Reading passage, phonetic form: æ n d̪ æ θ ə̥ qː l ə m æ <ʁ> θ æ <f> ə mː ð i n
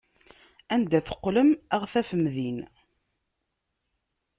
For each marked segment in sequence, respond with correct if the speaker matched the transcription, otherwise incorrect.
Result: correct, correct

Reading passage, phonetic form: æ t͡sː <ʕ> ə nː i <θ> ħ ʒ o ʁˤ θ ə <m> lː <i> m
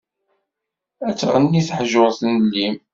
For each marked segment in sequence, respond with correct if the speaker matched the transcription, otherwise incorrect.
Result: incorrect: ʁ, correct, incorrect: n, correct

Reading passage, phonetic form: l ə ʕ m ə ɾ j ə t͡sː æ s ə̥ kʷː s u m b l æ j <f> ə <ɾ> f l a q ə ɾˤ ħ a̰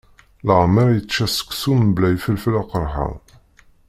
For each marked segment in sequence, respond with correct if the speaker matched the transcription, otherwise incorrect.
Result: correct, incorrect: l

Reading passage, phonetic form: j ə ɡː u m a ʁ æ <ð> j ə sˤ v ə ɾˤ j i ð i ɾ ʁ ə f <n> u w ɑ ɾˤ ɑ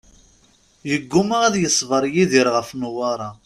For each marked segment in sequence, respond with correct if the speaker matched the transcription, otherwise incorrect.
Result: correct, correct

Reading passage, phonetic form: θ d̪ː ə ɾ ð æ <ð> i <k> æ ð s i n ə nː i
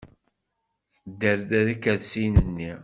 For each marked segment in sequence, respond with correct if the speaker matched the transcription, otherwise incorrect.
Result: correct, correct

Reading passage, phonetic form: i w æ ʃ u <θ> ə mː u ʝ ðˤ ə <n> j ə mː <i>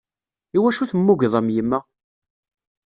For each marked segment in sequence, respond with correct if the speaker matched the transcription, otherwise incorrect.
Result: correct, incorrect: m, incorrect: æ

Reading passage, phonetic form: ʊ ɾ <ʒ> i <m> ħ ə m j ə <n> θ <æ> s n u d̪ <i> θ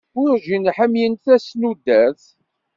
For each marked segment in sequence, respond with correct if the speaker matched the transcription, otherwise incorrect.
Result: correct, incorrect: n, correct, correct, incorrect: æ

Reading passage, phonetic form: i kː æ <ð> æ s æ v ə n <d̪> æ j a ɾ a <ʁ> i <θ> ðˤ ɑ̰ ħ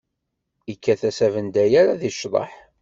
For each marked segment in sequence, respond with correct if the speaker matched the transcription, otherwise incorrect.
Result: incorrect: θ, correct, incorrect: ð, incorrect: ʃ

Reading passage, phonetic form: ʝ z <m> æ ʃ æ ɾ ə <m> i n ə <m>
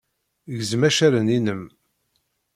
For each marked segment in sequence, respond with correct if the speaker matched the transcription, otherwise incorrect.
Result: correct, incorrect: n, correct

